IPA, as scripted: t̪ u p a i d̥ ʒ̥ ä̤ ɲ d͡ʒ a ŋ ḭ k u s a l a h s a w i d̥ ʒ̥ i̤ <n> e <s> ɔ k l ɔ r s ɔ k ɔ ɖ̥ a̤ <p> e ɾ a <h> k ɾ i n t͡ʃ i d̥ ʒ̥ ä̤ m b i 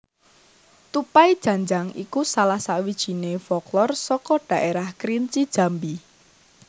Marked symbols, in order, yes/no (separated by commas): yes, no, no, yes